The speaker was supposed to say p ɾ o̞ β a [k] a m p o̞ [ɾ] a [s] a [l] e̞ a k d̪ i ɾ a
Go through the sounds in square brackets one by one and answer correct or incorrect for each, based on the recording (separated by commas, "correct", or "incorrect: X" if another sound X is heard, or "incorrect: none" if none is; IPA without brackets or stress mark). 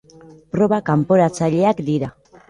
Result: correct, correct, incorrect: t͡s, incorrect: ʎ